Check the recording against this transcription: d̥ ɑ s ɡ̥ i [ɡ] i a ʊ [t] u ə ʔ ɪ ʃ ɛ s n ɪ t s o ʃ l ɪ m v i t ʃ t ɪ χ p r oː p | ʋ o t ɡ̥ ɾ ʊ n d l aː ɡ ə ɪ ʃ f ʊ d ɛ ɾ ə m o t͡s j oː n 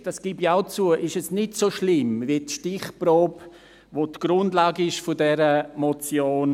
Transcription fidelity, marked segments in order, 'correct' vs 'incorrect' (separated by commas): incorrect, incorrect